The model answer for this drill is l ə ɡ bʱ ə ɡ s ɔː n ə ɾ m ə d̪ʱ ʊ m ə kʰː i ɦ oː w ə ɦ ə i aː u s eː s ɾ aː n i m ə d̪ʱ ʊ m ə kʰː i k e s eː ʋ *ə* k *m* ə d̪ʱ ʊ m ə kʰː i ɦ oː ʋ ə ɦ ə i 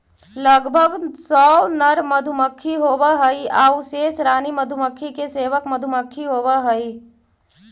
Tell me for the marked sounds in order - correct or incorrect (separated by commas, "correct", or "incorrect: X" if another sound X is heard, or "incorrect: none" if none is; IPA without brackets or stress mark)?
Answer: correct, correct